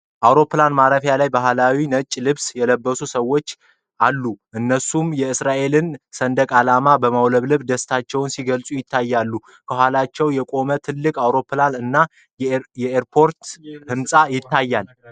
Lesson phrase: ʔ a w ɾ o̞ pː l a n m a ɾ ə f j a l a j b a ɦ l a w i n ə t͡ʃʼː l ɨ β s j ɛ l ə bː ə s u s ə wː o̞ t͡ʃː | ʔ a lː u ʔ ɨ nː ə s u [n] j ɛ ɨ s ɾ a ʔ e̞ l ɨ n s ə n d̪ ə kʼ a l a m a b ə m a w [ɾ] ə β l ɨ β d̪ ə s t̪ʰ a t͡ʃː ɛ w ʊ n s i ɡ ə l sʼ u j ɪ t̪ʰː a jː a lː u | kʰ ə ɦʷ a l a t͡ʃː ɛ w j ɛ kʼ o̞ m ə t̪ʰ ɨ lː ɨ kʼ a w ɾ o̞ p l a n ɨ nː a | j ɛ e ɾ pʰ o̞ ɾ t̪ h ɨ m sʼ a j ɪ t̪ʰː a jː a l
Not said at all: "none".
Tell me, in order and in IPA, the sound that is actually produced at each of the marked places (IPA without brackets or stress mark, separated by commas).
m, l